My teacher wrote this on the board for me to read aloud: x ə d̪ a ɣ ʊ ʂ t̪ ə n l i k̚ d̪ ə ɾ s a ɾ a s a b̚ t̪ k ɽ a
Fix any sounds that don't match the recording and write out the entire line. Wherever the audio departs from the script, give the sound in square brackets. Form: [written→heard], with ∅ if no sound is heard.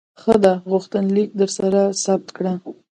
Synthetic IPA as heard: x ə d̪ a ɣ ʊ [ʂ→x] t̪ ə n l i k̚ d̪ ə ɾ s a ɾ a s a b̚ t̪ k ɽ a

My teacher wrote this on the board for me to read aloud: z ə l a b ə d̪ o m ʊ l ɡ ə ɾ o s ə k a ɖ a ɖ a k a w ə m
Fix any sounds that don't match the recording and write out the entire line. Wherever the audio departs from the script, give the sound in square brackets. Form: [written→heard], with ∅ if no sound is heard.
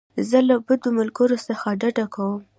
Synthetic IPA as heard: z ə l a b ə d̪ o m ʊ l ɡ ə ɾ o s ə [k→x] a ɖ a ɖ a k a w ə m

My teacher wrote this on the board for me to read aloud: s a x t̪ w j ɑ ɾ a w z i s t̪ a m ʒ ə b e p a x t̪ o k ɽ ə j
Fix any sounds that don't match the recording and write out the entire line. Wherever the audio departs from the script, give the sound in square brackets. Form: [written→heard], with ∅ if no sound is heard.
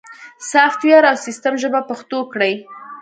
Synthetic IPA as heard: s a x t̪ w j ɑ ɾ a w [z→s] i s t̪ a m ʒ ə b [e→a] p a x t̪ o k ɽ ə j

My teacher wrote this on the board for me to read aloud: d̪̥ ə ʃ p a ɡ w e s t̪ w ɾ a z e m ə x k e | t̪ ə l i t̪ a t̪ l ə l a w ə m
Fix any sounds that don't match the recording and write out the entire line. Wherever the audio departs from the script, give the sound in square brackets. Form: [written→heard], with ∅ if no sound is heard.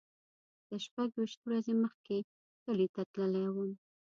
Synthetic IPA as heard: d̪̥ ə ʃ p a ɡ w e [s→ʃ] t̪ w ɾ a z e m ə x k e | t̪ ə l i t̪ a t̪ l ə l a w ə m

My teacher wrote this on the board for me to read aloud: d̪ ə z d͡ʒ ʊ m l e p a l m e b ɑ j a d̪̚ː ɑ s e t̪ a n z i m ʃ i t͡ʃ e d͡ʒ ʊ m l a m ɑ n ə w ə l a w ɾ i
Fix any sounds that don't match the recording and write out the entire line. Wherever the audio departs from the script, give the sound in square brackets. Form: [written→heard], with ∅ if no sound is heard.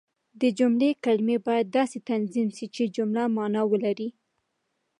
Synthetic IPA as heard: d̪ ə [z→∅] d͡ʒ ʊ m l e [p→k] a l m e b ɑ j a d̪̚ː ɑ s e t̪ a n z i m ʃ i t͡ʃ e d͡ʒ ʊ m l a m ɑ n [ə→ɑ] w ə l a [w→∅] ɾ i

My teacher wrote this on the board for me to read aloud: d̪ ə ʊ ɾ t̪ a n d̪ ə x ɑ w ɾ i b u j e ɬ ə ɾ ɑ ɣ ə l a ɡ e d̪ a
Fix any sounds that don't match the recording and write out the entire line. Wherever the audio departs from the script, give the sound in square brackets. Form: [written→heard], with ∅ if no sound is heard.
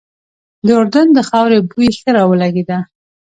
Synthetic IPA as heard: d̪ ə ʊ ɾ [t̪→d̪] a n d̪ ə x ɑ w ɾ [i→e] b u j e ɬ ə ɾ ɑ [ɣ→w] ə l a ɡ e d̪ a

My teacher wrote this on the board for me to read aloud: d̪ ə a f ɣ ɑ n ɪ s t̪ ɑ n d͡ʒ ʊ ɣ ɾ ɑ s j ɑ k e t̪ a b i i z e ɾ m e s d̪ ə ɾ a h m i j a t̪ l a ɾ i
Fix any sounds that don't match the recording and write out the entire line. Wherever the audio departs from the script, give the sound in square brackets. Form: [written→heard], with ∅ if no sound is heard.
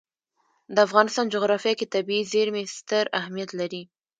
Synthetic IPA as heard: d̪ ə a f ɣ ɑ n ɪ s t̪ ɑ n d͡ʒ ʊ ɣ ɾ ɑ [s→f] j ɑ k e t̪ a b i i z e ɾ m e s [d̪→t̪] ə ɾ a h m i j a t̪ l a ɾ i

